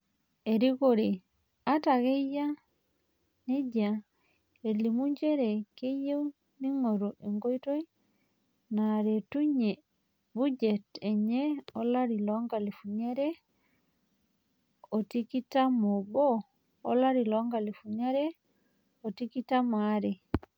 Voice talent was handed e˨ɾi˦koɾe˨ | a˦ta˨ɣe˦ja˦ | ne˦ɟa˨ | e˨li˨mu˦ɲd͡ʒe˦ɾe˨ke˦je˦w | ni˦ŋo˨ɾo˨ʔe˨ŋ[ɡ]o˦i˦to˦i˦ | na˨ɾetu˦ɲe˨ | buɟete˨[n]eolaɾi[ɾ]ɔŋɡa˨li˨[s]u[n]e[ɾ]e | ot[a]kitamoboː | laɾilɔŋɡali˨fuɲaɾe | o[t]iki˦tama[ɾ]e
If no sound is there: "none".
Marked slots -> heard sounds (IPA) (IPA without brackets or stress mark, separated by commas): ɡ, ɲ, l, f, ɲ, ɾ, i, t, ɾ